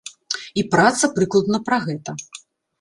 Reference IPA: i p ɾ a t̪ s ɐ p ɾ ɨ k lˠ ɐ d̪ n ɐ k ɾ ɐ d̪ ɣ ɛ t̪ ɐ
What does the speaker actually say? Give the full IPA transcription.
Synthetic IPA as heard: i p ɾ a t̪ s ɐ p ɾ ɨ k lˠ ɐ d̪ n ɐ p ɾ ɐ ɣ ɛ t̪ ɐ